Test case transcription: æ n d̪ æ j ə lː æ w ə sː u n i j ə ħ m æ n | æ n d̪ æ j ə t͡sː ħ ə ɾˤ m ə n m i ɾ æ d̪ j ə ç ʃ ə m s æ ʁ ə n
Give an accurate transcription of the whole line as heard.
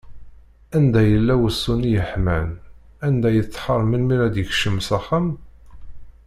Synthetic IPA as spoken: æ n d̪ æ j ə lː æ w ə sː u n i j ə ħ m æ n | æ n d̪ æ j ə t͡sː ħ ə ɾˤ m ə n m i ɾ æ d̪ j ə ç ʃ ə m s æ χ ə m